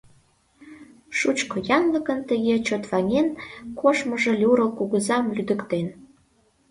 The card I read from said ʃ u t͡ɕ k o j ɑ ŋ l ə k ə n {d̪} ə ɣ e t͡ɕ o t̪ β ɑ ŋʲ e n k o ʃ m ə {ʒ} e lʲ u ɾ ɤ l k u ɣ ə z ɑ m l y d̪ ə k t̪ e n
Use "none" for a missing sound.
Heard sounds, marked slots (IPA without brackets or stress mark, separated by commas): t̪, ʒ